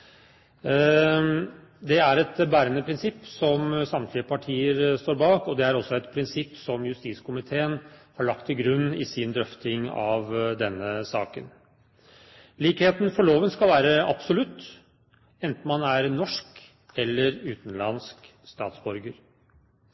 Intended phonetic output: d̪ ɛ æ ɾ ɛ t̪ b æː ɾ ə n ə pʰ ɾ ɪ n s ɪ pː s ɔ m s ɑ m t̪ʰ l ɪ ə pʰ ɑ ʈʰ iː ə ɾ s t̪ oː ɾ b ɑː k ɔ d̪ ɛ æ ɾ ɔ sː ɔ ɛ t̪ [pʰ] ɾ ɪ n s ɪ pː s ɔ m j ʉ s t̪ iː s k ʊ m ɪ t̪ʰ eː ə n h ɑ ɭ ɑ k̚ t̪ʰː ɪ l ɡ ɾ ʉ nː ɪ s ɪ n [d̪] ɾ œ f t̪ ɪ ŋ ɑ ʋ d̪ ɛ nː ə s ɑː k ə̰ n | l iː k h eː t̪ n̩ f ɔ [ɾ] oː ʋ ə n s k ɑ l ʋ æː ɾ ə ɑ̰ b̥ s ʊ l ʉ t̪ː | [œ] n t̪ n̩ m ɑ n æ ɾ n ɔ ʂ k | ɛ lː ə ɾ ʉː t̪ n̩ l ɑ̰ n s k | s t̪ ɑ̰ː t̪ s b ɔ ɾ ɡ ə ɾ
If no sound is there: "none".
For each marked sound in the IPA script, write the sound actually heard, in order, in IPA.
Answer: pʰ, d̪, ɭ, ɛ

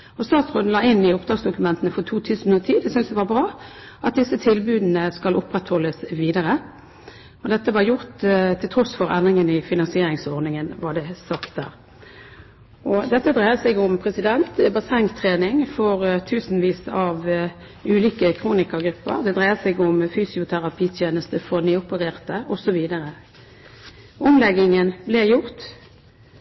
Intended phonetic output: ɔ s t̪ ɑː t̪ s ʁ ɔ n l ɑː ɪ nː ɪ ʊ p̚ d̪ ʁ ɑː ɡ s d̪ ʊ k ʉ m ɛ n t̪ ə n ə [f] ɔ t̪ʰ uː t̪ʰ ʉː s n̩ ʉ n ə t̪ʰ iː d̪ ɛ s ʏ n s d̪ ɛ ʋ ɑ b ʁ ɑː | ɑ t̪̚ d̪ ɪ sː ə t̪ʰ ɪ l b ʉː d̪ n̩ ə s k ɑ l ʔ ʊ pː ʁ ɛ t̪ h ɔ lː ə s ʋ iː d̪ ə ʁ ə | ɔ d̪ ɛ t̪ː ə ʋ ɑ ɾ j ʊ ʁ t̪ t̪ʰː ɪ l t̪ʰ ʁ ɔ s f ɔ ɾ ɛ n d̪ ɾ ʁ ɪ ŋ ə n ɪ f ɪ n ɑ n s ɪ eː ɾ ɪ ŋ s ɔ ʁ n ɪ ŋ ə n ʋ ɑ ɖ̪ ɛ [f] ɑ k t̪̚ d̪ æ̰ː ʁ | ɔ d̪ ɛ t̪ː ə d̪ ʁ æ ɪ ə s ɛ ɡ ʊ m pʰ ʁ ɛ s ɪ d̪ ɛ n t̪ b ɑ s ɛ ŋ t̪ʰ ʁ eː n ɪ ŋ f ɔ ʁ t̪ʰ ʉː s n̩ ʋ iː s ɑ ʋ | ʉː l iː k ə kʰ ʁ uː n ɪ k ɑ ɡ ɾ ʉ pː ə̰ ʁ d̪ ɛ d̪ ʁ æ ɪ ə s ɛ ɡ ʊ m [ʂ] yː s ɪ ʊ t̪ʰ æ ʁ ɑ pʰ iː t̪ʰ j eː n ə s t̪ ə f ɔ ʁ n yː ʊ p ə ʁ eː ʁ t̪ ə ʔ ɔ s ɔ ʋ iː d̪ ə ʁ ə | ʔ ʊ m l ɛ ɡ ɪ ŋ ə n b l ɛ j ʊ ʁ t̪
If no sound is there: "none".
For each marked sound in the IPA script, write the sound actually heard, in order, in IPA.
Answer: f, s, f

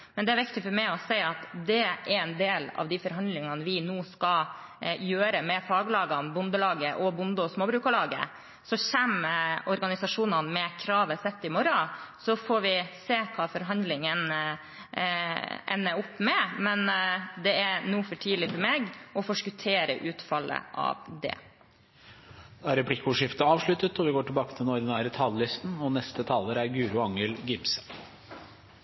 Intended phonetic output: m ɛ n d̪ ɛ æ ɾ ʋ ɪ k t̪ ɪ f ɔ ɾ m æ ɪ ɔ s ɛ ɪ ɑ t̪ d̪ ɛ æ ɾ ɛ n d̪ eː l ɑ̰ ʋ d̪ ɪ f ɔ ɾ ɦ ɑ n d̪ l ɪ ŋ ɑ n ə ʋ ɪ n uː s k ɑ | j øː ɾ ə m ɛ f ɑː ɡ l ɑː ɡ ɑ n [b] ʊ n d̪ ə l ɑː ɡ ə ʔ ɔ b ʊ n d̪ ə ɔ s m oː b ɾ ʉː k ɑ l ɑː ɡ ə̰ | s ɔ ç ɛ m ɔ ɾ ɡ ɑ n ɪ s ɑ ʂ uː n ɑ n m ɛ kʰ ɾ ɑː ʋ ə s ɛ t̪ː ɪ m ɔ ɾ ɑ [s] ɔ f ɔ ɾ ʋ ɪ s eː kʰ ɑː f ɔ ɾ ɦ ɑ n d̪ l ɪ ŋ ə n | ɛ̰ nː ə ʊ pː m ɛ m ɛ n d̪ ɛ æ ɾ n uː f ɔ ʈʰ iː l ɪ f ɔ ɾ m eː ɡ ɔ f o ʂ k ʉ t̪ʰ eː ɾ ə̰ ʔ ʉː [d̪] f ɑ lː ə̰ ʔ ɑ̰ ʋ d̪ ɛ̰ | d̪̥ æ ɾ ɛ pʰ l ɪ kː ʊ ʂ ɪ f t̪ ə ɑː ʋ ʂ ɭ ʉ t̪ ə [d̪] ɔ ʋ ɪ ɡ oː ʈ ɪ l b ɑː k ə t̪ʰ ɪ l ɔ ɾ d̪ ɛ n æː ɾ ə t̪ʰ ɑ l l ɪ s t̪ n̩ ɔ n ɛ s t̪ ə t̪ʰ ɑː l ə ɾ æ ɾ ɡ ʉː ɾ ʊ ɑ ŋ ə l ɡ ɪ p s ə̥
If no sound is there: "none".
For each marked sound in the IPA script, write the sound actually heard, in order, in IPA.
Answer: b, s, t̪, t̪

